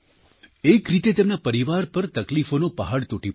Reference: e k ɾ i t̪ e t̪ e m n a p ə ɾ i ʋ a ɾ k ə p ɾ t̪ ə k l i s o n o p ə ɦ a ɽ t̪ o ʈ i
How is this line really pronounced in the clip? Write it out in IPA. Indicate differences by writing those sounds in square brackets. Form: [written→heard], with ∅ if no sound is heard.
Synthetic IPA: e k ɾ i t̪ e t̪ e m n a p ə ɾ i ʋ a ɾ [k→p] ə [p→∅] ɾ t̪ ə k l i [s→f] o n o p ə ɦ a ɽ t̪ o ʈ i

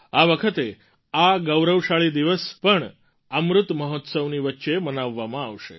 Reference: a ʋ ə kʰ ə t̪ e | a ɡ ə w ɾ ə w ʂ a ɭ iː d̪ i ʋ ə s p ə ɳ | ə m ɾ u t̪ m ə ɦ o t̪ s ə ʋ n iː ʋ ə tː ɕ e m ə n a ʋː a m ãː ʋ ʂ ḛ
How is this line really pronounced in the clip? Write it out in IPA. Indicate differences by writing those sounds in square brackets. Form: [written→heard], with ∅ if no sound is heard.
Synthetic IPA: a ʋ ə kʰ ə t̪ e | a ɡ ə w ɾ ə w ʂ a ɭ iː d̪ i ʋ ə s p ə ɳ | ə m ɾ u t̪ m ə ɦ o t̪ s ə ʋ n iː ʋ ə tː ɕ e m ə n a ʋː a m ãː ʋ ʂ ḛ

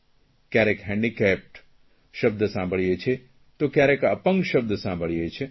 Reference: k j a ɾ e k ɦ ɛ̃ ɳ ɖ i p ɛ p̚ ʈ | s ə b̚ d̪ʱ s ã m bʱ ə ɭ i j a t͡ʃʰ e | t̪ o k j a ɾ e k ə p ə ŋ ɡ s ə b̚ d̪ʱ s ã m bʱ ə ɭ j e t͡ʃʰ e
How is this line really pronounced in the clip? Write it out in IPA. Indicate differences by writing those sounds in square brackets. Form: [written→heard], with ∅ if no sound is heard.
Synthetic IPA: k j a ɾ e k ɦ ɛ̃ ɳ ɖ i [p→k] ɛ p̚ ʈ | [s→ʃ] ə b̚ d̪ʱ s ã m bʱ ə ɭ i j [a→e] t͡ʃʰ e | t̪ o k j a ɾ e k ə p ə ŋ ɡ [s→ʃ] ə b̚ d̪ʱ s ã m bʱ ə ɭ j e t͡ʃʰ e

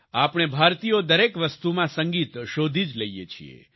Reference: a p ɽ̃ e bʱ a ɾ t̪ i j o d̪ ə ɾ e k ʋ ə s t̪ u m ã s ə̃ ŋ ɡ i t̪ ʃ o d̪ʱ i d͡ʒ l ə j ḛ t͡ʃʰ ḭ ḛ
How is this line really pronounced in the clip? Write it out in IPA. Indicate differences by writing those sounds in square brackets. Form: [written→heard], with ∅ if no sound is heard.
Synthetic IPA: a p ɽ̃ e bʱ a ɾ t̪ i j o d̪ ə ɾ e k ʋ ə s t̪ u m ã s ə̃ ŋ ɡ i t̪ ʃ o d̪ʱ i d͡ʒ l ə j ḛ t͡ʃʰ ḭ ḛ

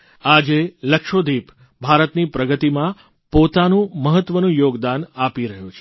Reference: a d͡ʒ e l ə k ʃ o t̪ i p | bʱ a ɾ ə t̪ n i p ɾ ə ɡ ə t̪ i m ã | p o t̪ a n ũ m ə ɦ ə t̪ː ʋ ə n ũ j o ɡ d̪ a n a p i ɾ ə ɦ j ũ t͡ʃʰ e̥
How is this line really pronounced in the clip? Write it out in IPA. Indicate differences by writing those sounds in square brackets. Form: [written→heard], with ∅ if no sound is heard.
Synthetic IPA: a d͡ʒ e l ə k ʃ o [t̪→d̪] i p | bʱ a ɾ ə t̪ n i p ɾ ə ɡ ə t̪ i m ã | p o t̪ a n ũ m ə ɦ ə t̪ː ʋ ə n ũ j o ɡ d̪ a n a p i ɾ ə ɦ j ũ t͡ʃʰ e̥

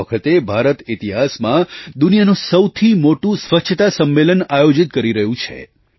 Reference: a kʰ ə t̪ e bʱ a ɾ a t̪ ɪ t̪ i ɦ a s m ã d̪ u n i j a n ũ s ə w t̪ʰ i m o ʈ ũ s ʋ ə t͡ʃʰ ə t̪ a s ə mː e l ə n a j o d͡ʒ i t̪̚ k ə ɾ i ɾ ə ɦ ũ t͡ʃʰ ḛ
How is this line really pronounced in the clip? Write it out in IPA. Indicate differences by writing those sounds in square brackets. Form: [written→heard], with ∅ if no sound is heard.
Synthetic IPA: [a→ə] kʰ ə t̪ e bʱ a ɾ [a→ə] t̪ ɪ t̪ i ɦ a s m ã d̪ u n i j a n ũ s ə w t̪ʰ i m o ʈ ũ s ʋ ə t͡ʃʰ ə t̪ a s ə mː e l ə n a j o d͡ʒ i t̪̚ k ə ɾ i ɾ ə ɦ ũ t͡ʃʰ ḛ

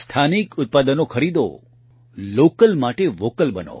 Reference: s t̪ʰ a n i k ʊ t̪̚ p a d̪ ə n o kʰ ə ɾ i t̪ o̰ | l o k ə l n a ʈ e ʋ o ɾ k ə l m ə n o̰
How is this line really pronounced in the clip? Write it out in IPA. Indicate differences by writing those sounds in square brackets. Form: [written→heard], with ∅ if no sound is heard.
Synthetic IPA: s t̪ʰ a n i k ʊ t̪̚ p a d̪ ə n o kʰ ə ɾ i [t̪→d̪] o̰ | l o k ə l [n→m] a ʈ e ʋ o [ɾ→∅] k ə l [m→b] ə n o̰

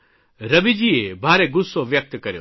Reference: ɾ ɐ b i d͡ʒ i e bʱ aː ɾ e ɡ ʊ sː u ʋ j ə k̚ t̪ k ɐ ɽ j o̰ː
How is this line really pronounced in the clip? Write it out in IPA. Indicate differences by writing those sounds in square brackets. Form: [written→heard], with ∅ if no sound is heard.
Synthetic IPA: ɾ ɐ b i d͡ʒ i e bʱ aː ɾ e ɡ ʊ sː [u→o] ʋ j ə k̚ t̪ k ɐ [ɽ→ɾ] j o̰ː

